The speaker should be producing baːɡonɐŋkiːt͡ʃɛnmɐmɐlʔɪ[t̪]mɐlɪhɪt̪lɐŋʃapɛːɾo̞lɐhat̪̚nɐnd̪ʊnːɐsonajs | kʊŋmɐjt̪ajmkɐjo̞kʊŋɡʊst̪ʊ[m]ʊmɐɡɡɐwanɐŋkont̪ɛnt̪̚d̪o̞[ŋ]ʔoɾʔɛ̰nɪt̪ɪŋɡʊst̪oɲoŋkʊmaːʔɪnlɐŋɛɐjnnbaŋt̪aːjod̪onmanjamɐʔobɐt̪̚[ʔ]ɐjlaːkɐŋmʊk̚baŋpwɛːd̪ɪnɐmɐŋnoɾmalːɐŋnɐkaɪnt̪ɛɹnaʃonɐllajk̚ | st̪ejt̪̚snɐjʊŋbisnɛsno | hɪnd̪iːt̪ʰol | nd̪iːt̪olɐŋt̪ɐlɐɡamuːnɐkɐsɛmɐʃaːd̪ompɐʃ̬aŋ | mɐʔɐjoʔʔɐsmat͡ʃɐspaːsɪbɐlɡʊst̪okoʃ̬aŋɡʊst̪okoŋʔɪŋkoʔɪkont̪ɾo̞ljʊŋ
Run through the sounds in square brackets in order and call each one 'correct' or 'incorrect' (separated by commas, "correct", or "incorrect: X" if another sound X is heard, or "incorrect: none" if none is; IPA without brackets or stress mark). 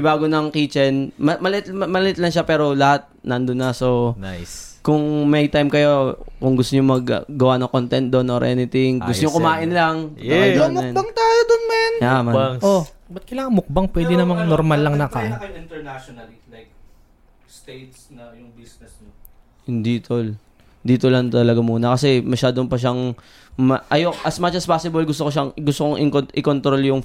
correct, incorrect: ɲ, incorrect: n, incorrect: k